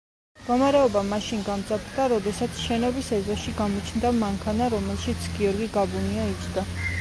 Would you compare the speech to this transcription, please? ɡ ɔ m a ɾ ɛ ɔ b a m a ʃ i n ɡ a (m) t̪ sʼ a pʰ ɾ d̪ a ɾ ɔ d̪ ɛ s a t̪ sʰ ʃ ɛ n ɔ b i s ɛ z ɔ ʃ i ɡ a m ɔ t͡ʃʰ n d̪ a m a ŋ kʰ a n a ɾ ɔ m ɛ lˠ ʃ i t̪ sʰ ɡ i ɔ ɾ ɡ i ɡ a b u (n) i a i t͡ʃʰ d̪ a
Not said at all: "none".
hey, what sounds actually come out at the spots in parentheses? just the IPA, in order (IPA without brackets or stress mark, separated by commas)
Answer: m, n